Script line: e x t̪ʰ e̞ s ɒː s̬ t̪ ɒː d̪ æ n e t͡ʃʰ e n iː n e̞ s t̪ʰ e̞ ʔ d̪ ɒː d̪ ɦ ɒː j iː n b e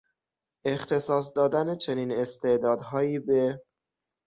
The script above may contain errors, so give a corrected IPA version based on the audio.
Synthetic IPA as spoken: e x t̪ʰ e̞ s ɒː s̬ d̪ ɒː d̪ æ n e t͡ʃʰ e n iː n e̞ s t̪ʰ e̞ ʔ d̪ ɒː d̪ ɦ ɒː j iː b e